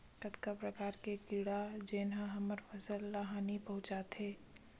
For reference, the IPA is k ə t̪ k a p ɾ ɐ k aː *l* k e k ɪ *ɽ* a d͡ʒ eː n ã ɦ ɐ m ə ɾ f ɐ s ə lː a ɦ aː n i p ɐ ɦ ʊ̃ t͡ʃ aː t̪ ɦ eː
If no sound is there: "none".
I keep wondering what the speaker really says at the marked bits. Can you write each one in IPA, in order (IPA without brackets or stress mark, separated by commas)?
ɾ, ɽ